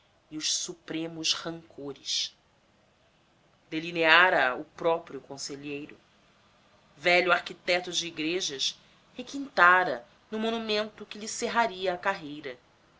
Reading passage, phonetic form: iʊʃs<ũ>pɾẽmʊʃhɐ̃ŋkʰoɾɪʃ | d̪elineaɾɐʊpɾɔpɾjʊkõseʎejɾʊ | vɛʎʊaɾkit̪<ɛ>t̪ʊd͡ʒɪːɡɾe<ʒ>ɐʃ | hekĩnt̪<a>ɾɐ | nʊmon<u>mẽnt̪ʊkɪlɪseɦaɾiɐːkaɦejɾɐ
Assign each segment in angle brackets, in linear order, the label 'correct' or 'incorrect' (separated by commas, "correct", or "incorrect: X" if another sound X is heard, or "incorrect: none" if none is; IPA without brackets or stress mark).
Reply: incorrect: u, correct, correct, correct, correct